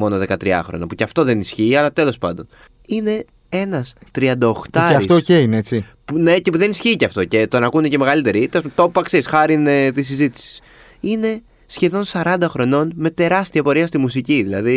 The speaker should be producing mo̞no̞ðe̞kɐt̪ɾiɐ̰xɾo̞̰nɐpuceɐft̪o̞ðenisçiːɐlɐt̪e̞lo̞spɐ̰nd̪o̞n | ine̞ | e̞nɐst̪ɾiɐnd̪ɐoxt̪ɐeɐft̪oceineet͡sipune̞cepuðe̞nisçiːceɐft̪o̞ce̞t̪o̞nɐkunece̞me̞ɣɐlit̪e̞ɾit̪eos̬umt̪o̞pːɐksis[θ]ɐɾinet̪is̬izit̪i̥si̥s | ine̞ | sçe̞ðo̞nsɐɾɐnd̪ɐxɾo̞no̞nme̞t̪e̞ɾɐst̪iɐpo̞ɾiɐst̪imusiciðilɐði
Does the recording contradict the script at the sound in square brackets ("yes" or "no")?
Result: yes